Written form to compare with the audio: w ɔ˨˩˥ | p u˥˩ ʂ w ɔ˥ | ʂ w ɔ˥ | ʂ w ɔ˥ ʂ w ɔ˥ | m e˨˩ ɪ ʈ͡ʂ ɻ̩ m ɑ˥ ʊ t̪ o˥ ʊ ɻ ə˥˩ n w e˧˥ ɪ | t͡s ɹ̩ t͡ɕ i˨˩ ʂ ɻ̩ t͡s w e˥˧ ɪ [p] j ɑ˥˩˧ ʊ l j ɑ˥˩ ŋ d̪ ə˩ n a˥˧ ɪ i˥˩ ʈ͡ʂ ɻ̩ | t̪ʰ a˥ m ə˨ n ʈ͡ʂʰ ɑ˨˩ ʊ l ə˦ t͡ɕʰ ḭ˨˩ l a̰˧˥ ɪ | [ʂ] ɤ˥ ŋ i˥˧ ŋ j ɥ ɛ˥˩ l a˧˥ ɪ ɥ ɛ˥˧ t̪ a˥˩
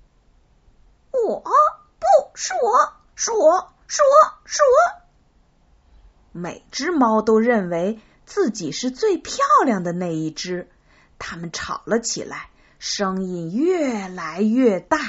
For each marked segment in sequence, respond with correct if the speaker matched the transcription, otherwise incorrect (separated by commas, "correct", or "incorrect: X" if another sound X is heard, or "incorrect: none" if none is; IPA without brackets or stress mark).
incorrect: pʰ, correct